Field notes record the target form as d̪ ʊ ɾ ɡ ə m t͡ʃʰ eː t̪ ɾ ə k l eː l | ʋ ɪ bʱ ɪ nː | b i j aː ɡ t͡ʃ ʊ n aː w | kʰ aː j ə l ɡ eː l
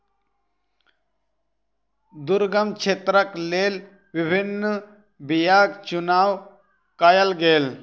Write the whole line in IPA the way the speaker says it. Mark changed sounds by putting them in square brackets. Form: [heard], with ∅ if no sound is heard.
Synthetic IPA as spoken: d̪ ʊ ɾ ɡ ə m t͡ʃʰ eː t̪ ɾ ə k l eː l | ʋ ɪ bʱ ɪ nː | b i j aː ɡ t͡ʃ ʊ n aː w | [k] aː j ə l ɡ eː l